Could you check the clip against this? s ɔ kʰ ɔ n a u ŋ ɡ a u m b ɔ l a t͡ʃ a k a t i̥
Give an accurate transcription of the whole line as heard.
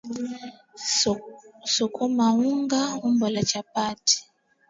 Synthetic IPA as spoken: s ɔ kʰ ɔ m a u ŋ ɡ a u m b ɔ l a t͡ʃ a p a t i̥

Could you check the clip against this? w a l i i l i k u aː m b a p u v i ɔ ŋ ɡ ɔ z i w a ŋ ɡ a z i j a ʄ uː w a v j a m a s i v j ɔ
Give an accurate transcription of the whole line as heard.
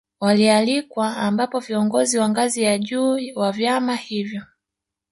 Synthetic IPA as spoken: w a l i a l i k w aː m b a p ɔ v i ɔ ŋ ɡ ɔ z i w a ŋ ɡ a z i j a ʄ uː w a v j a m a h i v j ɔ

